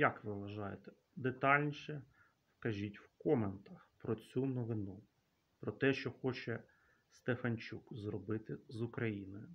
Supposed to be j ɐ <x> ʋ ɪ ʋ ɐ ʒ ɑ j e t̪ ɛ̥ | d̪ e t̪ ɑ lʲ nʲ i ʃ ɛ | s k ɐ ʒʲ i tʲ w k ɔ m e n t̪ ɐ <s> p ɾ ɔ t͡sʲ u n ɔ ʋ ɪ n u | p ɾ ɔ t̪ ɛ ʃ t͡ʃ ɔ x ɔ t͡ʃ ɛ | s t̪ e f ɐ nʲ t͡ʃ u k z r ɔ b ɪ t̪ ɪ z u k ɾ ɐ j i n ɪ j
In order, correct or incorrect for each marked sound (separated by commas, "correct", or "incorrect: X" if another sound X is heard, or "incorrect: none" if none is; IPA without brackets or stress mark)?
incorrect: k, incorrect: x